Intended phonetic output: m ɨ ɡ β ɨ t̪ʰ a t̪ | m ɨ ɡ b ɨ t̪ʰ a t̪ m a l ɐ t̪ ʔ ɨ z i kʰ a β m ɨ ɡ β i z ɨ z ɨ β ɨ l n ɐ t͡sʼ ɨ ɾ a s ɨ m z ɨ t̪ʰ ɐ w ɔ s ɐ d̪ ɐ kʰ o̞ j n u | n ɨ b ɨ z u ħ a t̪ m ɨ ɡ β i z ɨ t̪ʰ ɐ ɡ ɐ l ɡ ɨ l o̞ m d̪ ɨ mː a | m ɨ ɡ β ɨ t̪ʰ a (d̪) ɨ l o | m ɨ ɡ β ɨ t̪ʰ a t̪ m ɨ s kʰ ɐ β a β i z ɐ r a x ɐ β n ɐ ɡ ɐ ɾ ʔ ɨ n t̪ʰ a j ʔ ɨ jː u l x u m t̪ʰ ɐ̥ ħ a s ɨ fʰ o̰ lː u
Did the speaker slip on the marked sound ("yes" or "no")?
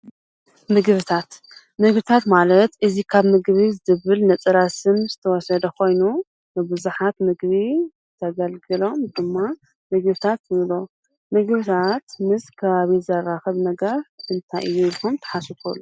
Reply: yes